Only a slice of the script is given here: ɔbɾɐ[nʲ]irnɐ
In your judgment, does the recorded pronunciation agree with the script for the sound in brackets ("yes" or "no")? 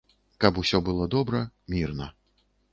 no